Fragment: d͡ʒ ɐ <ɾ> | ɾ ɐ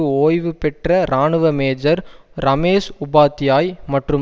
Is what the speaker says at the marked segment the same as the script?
yes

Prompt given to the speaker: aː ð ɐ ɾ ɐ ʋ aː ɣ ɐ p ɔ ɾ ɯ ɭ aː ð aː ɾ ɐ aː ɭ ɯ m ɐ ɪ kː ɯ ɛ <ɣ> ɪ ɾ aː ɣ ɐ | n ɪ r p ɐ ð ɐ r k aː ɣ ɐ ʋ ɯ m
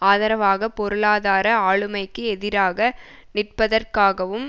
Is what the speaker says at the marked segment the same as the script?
no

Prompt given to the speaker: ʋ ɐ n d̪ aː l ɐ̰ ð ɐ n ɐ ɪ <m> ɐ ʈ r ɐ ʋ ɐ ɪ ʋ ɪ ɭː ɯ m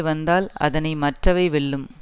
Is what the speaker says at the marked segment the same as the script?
yes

